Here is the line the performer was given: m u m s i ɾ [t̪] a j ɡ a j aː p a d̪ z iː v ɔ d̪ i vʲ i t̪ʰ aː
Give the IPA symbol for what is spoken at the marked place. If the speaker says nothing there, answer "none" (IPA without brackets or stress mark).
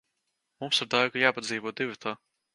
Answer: d̪